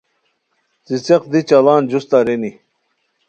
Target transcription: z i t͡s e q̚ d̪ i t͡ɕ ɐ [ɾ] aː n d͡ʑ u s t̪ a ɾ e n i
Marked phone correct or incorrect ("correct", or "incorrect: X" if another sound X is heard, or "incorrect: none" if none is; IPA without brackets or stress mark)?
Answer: incorrect: l